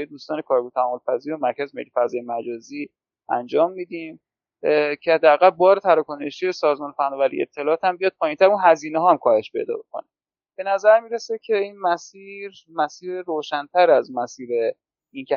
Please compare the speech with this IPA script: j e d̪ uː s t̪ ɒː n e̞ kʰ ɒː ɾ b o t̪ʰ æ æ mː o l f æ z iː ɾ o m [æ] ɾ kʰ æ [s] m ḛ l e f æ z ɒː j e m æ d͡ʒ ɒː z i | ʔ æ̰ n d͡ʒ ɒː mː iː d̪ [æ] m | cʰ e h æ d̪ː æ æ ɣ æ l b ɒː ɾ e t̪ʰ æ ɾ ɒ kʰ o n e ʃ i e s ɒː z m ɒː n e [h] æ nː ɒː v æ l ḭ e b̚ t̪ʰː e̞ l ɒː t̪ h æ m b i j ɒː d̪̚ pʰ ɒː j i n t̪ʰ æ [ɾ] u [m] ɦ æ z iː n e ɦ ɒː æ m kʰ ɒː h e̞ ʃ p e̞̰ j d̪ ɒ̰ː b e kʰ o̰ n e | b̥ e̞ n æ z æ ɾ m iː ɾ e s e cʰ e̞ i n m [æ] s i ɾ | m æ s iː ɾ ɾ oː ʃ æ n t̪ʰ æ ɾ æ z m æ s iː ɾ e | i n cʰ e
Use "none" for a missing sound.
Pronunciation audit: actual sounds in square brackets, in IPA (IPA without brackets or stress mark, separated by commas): æ, z, i, f, ɾ, n, æ